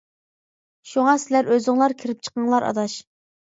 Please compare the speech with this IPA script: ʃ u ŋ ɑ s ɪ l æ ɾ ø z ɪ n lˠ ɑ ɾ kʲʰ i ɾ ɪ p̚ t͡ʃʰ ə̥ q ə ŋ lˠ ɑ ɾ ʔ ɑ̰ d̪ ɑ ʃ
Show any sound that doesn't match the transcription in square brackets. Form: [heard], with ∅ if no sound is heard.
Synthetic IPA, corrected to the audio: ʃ u ŋ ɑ s ɪ l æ ɾ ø z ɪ [ŋ] lˠ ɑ ɾ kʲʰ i ɾ ɪ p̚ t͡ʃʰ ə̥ q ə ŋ lˠ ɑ ɾ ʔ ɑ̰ d̪ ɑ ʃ

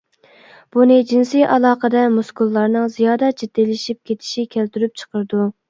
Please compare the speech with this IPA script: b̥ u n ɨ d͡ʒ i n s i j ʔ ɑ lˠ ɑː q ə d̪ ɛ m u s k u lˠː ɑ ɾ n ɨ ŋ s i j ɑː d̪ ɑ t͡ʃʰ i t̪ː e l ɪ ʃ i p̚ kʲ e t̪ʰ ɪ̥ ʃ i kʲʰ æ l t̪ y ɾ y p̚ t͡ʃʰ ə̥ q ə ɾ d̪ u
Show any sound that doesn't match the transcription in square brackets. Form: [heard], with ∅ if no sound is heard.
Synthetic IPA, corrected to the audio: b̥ u n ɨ d͡ʒ i n s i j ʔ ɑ lˠ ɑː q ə d̪ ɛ m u s k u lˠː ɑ ɾ n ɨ ŋ [z] i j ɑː d̪ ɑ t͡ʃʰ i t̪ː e l ɪ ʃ i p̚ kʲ e t̪ʰ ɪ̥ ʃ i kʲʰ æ l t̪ y ɾ y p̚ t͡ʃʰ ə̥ q ə ɾ d̪ u

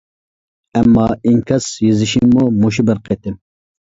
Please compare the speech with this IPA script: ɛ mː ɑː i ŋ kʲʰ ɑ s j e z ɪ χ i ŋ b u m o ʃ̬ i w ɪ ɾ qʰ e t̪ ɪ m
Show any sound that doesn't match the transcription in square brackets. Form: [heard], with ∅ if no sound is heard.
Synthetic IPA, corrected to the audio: ɛ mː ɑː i ŋ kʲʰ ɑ s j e z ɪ [ʃ] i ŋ [m] u m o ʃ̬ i [b] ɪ ɾ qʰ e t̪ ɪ m

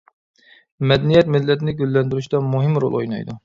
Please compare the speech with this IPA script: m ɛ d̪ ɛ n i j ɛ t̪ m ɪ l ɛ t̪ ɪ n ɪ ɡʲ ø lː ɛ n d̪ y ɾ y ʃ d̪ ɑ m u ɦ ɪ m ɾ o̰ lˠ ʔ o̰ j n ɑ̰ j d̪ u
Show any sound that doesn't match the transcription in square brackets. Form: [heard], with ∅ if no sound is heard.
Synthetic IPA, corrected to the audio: m ɛ d̪ ɛ n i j ɛ t̪ m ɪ [lː] ɛ t̪ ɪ n ɪ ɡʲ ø lː ɛ n d̪ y ɾ y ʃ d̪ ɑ m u ɦ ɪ m ɾ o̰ lˠ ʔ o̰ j n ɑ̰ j d̪ u

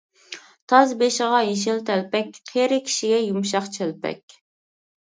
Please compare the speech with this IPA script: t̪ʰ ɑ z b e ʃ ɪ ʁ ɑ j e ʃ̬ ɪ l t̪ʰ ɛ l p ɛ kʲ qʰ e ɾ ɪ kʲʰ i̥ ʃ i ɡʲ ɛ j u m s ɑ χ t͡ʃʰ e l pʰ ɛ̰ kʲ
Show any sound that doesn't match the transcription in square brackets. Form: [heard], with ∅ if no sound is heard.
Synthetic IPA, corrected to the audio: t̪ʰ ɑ z b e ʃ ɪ ʁ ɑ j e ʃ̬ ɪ l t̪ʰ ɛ l p ɛ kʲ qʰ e ɾ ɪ kʲʰ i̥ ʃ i ɡʲ ɛ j u m [ʃ] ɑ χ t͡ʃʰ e l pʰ ɛ̰ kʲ

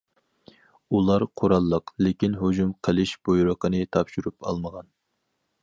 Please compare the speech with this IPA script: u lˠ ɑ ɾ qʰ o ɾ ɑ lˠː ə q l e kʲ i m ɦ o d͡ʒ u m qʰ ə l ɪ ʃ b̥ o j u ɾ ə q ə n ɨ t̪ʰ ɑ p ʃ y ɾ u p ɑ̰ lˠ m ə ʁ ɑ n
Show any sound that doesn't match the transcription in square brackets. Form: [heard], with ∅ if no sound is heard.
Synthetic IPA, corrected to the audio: u lˠ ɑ ɾ qʰ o ɾ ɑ lˠː ə q l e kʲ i [n] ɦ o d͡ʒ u m qʰ ə l ɪ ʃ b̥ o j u ɾ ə q ə n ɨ t̪ʰ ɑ p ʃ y ɾ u p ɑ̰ lˠ m ə ʁ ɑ n

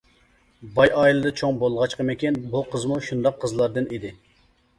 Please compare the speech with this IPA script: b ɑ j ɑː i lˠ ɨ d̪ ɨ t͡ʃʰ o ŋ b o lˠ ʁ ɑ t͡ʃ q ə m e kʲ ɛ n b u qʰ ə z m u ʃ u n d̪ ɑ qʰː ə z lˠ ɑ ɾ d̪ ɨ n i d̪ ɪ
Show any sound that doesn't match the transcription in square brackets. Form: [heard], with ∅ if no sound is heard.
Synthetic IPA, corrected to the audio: b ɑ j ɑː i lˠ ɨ d̪ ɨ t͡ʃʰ o ŋ b o lˠ ʁ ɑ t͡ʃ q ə m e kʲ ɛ n b u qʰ ə z m u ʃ u n d̪ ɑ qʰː ə z lˠ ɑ ɾ d̪ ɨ n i d̪ ɪ

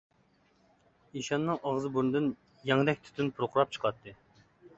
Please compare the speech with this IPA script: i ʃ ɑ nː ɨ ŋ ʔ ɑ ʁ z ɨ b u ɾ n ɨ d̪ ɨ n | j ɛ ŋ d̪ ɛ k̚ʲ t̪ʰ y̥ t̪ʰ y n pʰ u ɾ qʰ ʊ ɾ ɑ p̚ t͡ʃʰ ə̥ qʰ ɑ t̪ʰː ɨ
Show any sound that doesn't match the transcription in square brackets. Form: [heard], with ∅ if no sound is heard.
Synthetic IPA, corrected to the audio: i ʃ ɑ nː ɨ ŋ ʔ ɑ ʁ z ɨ b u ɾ n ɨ d̪ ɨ n | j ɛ ŋ d̪ ɛ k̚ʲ t̪ʰ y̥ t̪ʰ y n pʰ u ɾ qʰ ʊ ɾ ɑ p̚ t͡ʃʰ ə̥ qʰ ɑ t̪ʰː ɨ

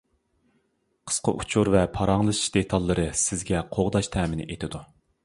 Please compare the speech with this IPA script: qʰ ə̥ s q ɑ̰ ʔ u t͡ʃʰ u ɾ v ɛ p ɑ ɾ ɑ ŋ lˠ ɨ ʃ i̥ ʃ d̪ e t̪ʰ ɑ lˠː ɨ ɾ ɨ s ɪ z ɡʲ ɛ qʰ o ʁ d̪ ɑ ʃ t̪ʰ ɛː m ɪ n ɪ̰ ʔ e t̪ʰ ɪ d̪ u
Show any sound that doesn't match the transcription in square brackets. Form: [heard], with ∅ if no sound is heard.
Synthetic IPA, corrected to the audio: qʰ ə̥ s q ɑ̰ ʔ u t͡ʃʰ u ɾ v ɛ [pʰ] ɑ ɾ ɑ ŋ lˠ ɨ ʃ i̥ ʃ d̪ e t̪ʰ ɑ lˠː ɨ ɾ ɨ s ɪ z ɡʲ ɛ qʰ o ʁ d̪ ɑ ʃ t̪ʰ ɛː m ɪ n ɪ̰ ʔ e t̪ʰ ɪ d̪ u

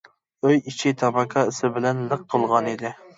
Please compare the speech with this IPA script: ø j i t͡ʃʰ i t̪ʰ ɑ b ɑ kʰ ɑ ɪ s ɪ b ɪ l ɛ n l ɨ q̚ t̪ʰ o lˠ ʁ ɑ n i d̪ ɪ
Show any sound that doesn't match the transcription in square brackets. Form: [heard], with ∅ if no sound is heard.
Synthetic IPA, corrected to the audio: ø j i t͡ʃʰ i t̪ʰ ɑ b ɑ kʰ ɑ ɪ s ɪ b ɪ l ɛ n l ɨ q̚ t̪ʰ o lˠ ʁ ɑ n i d̪ ɪ

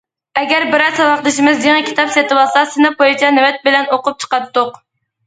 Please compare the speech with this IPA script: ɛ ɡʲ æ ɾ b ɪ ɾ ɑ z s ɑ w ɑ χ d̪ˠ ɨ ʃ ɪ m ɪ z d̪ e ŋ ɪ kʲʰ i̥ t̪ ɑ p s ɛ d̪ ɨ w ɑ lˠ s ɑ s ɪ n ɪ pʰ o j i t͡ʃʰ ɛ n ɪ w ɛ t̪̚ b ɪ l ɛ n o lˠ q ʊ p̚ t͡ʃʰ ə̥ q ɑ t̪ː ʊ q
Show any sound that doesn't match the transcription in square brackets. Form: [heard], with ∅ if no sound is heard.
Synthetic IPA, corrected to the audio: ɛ ɡʲ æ ɾ b ɪ ɾ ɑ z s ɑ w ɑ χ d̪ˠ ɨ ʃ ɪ m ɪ z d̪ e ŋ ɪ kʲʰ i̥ t̪ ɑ p s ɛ [t̪] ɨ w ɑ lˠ s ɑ s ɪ n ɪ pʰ o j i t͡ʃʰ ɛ n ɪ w ɛ t̪̚ b ɪ l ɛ n o [∅] q ʊ p̚ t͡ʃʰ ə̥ q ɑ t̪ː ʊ q

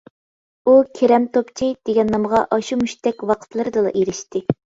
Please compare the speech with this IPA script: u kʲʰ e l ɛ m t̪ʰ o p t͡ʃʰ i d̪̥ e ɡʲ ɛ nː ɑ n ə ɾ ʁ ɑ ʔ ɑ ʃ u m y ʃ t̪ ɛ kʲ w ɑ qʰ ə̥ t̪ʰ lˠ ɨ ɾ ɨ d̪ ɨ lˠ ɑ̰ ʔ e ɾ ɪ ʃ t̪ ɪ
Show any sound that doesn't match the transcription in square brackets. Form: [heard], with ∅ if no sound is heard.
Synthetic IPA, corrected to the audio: u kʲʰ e [ɾ] ɛ m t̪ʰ o p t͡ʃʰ i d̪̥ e ɡʲ ɛ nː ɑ [m] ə [∅] ʁ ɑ ʔ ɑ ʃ u m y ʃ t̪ ɛ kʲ w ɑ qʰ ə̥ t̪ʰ lˠ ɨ ɾ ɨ d̪ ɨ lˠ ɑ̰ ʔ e ɾ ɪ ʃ t̪ ɪ

